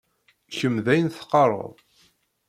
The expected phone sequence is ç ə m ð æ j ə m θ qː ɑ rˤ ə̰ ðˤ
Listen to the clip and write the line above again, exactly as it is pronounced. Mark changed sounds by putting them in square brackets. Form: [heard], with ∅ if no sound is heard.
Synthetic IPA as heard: ç ə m ð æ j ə [n] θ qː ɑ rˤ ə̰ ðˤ